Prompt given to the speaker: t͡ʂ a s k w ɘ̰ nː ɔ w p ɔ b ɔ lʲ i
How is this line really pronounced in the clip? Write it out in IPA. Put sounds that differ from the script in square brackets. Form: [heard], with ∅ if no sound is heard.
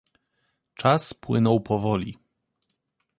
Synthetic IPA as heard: t͡ʂ a s [p] w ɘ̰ [n] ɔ w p ɔ [v] ɔ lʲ i